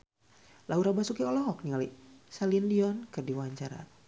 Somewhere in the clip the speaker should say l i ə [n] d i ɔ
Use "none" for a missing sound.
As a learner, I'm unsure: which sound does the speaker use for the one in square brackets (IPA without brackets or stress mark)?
n